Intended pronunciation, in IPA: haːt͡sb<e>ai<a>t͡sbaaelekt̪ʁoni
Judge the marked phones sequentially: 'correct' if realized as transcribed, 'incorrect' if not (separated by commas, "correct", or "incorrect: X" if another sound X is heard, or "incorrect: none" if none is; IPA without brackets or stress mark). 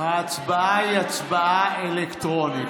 incorrect: a, correct